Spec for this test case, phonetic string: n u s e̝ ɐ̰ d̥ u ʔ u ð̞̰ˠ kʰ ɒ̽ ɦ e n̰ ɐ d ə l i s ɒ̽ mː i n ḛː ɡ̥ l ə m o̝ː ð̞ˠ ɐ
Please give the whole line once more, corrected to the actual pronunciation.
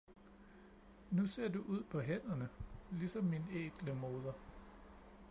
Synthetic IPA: n u s e̝ ɐ̰ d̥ u ʔ u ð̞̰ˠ pʰ ɒ̽ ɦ e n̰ ɐ n ə l i s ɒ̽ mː i n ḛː ɡ̥ l ə m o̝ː ð̞ˠ ɐ